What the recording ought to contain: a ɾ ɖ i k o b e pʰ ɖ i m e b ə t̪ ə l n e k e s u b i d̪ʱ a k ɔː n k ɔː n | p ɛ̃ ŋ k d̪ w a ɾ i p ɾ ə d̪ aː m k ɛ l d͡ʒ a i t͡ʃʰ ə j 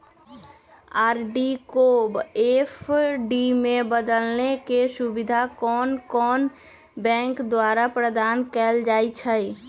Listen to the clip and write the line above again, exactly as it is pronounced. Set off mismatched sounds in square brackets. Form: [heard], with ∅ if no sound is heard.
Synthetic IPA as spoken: a ɾ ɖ i k o b e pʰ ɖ i m e b ə [d̪] ə l n e k e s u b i d̪ʱ a k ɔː n k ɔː n | [b] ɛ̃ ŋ k d̪ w a ɾ [a] p ɾ ə d̪ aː [n] k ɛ l d͡ʒ a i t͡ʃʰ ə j